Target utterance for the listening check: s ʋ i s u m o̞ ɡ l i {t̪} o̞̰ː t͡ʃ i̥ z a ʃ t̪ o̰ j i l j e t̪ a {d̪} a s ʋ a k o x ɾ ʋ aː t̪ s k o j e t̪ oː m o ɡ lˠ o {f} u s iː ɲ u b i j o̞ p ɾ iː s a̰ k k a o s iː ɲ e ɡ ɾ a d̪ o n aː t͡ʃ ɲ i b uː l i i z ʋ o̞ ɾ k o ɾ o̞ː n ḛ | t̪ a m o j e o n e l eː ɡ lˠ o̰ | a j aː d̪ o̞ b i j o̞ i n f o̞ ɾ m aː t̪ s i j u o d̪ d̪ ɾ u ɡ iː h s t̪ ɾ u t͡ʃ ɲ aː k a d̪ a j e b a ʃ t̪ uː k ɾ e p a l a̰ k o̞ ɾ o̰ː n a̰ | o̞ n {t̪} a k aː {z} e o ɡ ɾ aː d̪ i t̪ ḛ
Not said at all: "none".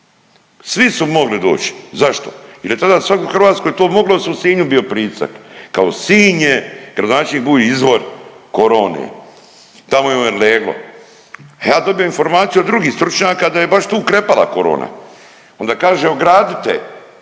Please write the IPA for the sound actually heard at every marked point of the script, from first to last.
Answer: d̪, d̪, s, d̪, ʒ

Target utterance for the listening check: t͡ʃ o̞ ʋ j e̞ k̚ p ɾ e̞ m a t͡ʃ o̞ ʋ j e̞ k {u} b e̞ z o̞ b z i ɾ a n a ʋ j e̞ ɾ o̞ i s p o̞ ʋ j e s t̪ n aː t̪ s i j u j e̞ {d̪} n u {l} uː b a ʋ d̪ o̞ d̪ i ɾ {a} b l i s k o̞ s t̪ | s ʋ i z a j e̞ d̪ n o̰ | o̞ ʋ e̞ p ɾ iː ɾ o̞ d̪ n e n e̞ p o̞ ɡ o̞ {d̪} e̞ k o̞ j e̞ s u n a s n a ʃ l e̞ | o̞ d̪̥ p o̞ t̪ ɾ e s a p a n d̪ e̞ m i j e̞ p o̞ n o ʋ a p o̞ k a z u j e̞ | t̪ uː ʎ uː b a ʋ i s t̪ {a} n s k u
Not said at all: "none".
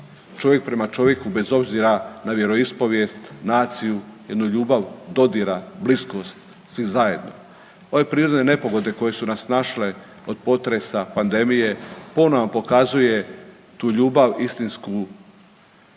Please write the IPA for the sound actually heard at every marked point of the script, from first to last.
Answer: u, d̪, ʎ, a, d̪, i

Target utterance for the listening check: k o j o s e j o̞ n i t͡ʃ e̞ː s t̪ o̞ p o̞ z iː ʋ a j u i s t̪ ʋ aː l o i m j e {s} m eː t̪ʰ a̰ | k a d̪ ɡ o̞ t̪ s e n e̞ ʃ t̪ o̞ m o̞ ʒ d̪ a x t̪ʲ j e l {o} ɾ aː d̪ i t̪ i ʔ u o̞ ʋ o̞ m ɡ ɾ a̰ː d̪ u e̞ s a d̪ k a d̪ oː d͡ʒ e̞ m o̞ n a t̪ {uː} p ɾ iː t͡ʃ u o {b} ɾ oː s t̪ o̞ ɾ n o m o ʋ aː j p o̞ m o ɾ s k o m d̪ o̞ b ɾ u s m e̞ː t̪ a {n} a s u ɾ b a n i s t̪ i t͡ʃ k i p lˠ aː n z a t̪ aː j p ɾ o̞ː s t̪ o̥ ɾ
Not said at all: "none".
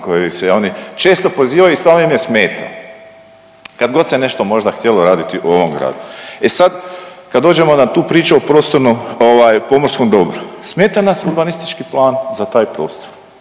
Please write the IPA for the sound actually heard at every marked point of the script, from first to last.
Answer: s, o, uː, p, n

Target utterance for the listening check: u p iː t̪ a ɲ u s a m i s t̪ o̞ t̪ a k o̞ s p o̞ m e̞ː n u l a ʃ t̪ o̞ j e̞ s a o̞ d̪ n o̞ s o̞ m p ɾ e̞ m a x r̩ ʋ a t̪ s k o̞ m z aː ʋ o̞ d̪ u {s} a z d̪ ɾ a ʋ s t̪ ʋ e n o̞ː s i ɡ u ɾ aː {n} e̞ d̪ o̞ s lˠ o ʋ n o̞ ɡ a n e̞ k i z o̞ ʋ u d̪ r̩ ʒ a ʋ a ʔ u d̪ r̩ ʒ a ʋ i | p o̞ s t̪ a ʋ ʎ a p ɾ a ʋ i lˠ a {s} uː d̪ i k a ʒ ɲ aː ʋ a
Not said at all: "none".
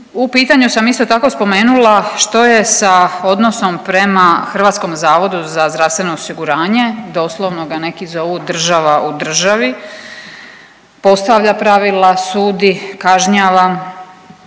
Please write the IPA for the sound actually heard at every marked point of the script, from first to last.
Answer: z, ɲ, s

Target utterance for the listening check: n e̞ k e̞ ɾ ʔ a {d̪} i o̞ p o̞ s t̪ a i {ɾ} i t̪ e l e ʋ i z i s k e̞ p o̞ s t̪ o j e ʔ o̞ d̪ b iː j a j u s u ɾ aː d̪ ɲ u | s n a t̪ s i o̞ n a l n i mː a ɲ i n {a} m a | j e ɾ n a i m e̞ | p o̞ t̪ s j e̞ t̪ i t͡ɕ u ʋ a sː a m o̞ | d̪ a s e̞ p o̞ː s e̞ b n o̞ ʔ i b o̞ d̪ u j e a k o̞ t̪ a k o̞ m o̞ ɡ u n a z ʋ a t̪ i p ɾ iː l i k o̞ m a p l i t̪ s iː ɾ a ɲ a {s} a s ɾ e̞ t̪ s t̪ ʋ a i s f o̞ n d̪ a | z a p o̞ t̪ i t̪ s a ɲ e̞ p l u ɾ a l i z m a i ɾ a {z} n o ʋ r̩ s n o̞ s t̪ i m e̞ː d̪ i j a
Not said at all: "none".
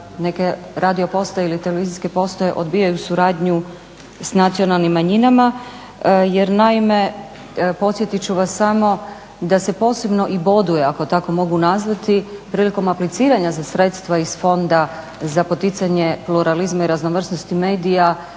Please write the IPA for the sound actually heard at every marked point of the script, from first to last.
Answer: d̪, l, a, z, z

